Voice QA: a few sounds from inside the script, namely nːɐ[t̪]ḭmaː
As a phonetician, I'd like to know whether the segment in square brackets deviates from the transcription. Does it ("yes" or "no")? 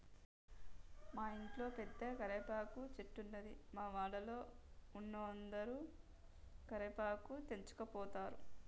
yes